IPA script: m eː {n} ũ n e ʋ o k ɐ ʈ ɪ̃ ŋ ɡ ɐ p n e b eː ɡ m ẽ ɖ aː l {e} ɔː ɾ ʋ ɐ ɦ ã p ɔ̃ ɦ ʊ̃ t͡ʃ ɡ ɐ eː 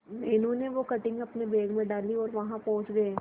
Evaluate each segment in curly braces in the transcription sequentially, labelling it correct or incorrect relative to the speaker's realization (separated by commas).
correct, incorrect